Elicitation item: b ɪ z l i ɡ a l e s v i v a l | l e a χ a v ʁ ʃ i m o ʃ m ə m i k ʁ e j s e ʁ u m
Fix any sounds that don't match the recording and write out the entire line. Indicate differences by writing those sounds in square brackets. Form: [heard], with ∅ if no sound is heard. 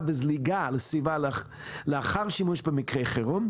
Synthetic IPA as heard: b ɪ z l i ɡ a l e s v i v a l | l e a χ a [∅] ʁ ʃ i m [u] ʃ [b] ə m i k ʁ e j [χ] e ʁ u m

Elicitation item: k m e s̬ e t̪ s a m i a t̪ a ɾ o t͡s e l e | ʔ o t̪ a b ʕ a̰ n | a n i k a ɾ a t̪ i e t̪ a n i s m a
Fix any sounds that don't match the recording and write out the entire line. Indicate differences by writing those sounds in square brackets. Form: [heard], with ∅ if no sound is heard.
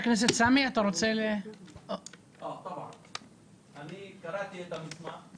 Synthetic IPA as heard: k [n] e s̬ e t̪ s a m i a t̪ a ɾ o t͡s e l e | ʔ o t̪ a b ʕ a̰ n | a n i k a ɾ a t̪ i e t̪ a [m] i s m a

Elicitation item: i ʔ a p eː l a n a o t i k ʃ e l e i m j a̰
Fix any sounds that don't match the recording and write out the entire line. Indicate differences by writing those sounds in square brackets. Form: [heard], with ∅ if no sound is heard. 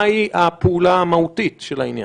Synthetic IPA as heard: i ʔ a p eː l a [m] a [u] t i [t] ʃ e l [a] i [n] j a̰

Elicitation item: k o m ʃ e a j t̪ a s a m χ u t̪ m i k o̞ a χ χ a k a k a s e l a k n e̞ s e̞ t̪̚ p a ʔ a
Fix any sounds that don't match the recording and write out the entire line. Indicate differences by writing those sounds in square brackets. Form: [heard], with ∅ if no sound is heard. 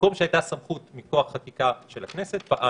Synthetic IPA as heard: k o m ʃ e a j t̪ a s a m χ u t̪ m i k o̞ a χ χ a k [i] k a [ʃ] e l a k n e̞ s e̞ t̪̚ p a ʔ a

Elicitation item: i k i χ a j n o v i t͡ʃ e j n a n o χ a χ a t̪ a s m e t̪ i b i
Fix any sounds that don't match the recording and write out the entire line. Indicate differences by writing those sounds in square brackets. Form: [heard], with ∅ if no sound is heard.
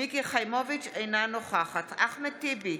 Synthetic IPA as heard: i k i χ a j [m] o v i t͡ʃ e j n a n o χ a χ a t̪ a [χ] m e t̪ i b i

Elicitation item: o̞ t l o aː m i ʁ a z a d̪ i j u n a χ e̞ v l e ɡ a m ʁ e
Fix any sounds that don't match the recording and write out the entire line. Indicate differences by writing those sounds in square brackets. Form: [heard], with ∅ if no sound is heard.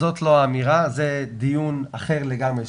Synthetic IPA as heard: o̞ t l o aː m i ʁ a z [e] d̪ i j u n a χ e̞ [ʁ] l e ɡ a m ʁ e

